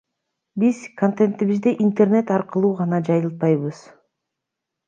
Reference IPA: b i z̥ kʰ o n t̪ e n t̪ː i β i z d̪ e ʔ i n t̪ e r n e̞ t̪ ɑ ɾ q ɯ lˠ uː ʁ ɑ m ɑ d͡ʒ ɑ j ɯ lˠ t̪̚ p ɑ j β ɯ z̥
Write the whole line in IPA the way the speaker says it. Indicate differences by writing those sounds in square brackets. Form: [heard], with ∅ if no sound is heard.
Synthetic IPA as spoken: b i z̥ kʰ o n t̪ e n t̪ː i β i z d̪ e ʔ i n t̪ e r n e̞ t̪ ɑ ɾ q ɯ lˠ uː ʁ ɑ [n] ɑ d͡ʒ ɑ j ɯ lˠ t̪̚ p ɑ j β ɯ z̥

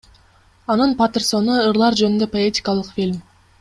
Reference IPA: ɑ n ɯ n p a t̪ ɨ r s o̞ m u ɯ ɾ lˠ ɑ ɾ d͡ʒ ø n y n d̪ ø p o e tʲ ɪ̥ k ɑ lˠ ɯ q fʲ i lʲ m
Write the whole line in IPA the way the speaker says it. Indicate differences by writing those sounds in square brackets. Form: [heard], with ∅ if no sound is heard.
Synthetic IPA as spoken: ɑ n ɯ n p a t̪ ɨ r s o̞ [n] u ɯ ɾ lˠ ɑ ɾ d͡ʒ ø n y n d̪ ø p o e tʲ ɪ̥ k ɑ lˠ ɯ q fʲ i lʲ m

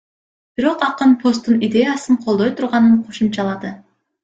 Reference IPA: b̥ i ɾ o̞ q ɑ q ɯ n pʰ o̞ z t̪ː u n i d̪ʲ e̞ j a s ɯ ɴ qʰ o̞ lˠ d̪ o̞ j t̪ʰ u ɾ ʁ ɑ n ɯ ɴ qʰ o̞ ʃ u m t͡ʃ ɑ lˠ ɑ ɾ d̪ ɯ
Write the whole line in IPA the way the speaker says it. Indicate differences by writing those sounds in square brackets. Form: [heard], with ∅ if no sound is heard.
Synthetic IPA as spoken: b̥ i ɾ o̞ q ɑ q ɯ n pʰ o̞ [s] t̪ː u n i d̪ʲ e̞ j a s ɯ ɴ qʰ o̞ lˠ d̪ o̞ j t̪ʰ u ɾ ʁ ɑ n ɯ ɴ qʰ o̞ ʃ u m t͡ʃ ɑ lˠ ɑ [∅] d̪ ɯ

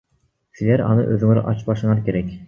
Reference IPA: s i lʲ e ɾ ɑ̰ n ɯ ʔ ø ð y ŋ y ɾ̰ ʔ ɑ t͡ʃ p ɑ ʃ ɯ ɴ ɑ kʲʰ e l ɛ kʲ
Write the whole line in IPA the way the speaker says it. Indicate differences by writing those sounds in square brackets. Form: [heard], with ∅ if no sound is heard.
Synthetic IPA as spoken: s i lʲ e ɾ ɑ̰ n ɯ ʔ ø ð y ŋ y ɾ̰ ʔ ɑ t͡ʃ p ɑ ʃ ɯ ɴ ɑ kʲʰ e [ɾ] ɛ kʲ

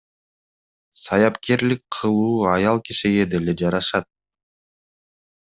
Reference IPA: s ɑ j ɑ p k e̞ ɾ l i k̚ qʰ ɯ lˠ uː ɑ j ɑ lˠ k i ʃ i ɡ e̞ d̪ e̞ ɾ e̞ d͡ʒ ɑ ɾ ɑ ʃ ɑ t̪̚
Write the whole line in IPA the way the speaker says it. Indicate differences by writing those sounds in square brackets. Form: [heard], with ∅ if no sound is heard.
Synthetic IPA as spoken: s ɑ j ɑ p k e̞ ɾ l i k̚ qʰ ɯ lˠ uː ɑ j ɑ lˠ k i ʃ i ɡ e̞ d̪ e̞ [l] e̞ d͡ʒ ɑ ɾ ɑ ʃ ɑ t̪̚

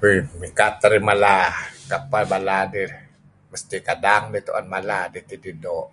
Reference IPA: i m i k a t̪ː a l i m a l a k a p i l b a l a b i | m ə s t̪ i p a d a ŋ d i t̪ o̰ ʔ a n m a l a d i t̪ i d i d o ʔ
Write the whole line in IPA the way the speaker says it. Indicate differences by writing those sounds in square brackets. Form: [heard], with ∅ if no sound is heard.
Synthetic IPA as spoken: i m i k a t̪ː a [ɾ] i m a l a k a p [a] l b a l a [d] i | m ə s t̪ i [k] a d a ŋ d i t̪ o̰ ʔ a n m a l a d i t̪ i d i d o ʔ

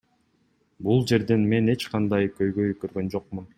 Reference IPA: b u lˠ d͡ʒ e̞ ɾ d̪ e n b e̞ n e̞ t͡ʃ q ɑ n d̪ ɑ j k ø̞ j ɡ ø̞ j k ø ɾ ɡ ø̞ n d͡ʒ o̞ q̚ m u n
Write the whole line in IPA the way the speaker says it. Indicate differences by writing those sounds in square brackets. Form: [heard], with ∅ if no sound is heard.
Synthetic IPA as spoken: b u lˠ d͡ʒ e̞ ɾ d̪ e n [m] e̞ n e̞ t͡ʃ q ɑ n d̪ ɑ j k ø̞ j ɡ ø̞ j k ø ɾ ɡ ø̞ n d͡ʒ o̞ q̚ m u n

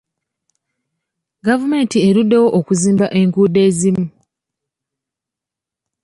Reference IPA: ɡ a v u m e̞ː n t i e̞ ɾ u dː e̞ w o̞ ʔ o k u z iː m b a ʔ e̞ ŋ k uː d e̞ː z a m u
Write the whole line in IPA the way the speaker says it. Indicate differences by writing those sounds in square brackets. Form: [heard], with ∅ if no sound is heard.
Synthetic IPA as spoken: ɡ a v u m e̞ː n t i e̞ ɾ u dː e̞ w o̞ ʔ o k u z iː m b a ʔ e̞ ŋ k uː d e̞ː z [i] m u

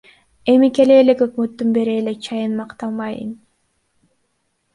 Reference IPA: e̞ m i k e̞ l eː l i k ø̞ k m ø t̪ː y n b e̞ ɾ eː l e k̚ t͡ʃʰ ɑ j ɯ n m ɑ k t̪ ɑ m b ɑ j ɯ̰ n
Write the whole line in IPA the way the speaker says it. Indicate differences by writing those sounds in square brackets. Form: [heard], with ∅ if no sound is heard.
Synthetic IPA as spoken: e̞ m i k e̞ l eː l [e] k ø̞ k m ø t̪ː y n b e̞ ɾ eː l e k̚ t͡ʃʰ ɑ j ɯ n m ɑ [q] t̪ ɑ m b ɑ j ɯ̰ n

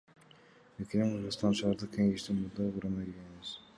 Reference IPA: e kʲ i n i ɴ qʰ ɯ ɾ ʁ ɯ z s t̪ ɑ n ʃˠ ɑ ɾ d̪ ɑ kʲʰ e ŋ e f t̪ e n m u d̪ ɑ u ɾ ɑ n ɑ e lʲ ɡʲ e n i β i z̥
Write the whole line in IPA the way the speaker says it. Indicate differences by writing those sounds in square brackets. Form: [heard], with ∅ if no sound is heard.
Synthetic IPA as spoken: e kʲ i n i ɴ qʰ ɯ ɾ ʁ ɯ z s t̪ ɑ n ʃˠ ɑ ɾ d̪ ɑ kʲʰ e ŋ e [ʃ] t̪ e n m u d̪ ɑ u ɾ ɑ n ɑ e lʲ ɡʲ e n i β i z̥

